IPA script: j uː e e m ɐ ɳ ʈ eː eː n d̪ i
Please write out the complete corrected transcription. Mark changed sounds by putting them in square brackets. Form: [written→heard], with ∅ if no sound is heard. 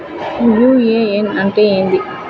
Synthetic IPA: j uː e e [m→n] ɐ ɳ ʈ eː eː n d̪ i